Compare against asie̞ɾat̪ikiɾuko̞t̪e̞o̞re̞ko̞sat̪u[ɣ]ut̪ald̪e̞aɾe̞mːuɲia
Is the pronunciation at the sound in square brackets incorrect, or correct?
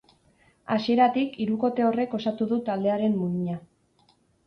incorrect